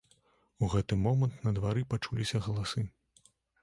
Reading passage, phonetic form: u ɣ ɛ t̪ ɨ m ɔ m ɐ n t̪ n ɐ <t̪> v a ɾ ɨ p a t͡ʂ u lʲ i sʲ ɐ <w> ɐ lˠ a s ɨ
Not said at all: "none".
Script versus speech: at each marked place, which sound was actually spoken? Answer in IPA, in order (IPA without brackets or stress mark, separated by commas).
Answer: d̪, ɣ